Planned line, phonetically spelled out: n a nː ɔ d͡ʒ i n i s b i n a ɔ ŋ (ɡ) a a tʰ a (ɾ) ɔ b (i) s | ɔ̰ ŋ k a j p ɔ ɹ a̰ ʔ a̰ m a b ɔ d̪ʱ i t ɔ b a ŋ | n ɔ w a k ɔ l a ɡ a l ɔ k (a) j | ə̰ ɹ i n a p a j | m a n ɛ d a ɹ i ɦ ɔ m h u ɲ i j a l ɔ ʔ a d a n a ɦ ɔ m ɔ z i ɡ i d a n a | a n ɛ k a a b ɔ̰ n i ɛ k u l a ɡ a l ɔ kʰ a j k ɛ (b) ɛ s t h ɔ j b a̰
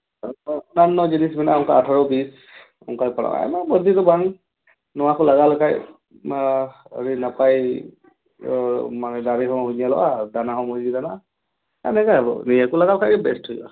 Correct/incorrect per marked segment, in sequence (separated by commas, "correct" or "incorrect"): incorrect, incorrect, correct, correct, correct